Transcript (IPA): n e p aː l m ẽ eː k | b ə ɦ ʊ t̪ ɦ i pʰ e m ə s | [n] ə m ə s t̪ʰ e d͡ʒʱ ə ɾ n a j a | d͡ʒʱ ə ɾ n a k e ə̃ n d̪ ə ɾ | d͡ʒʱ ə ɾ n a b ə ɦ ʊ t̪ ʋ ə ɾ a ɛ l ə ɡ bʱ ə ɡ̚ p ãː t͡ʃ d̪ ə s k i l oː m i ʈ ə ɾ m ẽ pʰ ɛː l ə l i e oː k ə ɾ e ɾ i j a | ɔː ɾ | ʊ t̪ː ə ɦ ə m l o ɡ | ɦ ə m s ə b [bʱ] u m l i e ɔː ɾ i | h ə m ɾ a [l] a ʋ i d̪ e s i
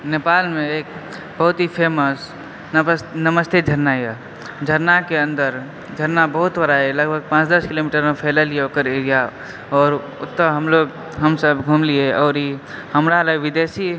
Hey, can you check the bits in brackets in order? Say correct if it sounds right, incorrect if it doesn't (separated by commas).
correct, incorrect, correct